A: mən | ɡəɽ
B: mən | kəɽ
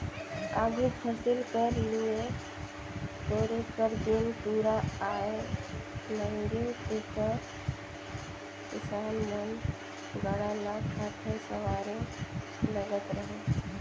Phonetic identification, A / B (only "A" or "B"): A